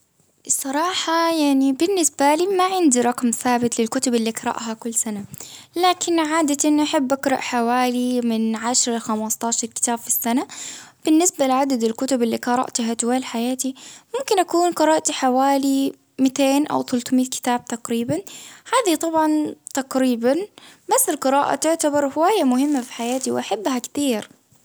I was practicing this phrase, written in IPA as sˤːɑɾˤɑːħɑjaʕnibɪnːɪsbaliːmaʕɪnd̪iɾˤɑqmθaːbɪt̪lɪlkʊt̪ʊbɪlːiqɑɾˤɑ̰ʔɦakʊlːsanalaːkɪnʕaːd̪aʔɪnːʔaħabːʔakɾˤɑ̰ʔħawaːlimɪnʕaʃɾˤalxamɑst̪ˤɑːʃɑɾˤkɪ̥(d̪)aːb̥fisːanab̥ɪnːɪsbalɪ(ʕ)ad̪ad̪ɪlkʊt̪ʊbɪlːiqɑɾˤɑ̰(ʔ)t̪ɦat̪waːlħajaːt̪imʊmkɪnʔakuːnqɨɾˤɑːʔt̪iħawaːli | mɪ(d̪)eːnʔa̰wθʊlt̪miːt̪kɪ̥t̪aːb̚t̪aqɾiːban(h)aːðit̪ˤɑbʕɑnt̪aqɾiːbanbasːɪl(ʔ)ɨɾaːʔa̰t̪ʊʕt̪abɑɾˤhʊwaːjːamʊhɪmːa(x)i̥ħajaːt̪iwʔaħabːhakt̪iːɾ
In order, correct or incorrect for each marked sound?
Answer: incorrect, correct, correct, incorrect, correct, incorrect, incorrect

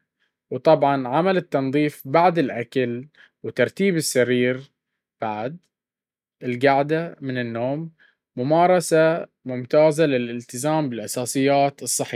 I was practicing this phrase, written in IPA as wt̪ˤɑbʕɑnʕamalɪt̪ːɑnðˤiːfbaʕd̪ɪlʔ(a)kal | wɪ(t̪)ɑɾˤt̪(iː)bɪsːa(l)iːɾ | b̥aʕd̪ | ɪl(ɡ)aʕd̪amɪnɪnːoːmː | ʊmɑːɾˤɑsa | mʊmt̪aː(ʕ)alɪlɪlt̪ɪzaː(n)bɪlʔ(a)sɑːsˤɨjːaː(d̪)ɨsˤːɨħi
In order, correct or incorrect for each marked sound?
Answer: correct, correct, correct, incorrect, correct, incorrect, incorrect, incorrect, incorrect

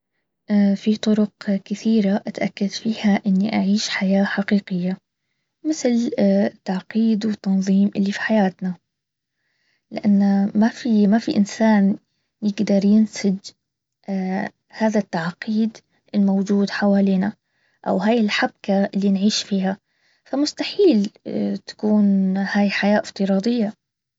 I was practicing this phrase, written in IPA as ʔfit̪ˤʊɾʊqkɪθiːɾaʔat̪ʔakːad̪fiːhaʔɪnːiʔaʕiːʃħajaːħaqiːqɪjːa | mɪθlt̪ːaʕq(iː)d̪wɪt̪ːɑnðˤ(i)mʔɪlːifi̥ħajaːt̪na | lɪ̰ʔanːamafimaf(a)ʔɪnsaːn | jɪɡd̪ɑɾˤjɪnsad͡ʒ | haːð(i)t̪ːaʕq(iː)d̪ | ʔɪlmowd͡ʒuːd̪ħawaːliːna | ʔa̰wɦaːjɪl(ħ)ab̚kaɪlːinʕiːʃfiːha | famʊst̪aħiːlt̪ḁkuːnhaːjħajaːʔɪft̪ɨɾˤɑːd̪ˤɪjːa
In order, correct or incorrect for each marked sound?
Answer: correct, incorrect, incorrect, incorrect, correct, correct

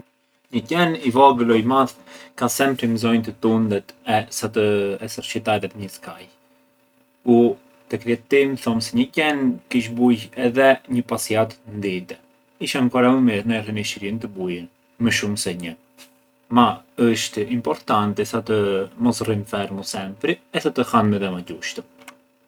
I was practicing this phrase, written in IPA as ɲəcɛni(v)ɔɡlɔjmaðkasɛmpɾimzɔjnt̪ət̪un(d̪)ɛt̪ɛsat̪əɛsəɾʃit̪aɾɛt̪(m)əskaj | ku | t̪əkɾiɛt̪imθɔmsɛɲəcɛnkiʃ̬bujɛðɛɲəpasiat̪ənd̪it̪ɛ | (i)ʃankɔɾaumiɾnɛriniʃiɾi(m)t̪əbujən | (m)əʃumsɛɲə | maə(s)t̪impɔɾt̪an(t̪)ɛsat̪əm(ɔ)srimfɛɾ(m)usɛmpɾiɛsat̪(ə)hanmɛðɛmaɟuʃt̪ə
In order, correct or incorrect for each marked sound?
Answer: correct, correct, incorrect, correct, incorrect, correct, incorrect, correct, correct, correct, correct

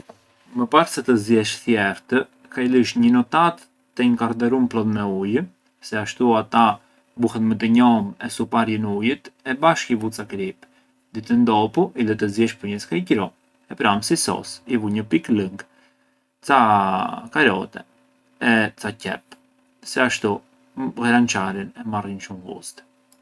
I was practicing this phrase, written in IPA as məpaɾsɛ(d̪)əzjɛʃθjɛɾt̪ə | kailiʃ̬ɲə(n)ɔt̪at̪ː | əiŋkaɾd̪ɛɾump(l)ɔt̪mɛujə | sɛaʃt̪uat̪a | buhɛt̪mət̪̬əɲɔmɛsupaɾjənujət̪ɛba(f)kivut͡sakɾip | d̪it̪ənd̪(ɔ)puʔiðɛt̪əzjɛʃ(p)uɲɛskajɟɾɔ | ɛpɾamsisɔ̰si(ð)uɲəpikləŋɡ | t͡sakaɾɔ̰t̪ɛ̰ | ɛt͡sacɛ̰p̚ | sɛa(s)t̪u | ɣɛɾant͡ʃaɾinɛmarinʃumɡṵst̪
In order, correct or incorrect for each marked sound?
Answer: incorrect, correct, correct, incorrect, correct, correct, incorrect, incorrect

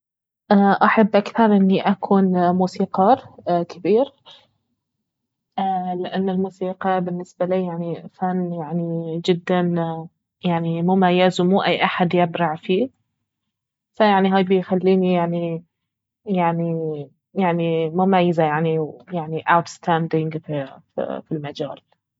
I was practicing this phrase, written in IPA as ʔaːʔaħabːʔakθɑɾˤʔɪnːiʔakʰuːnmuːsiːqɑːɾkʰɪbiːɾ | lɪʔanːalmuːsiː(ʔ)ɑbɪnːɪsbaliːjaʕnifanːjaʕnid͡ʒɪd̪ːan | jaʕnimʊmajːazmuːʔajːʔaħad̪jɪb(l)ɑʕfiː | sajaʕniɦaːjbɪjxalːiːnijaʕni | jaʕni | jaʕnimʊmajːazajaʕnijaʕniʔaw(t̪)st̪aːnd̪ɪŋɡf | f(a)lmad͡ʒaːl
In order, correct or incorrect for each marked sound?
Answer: incorrect, incorrect, correct, incorrect

